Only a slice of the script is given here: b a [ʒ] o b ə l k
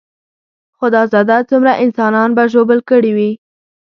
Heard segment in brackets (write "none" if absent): ʒ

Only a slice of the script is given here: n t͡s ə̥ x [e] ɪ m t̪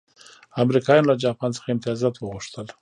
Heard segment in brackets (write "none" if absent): a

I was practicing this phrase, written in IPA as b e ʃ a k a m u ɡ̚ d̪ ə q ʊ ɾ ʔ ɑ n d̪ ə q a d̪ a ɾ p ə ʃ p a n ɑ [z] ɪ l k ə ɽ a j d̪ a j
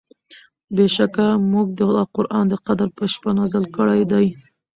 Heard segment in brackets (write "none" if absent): z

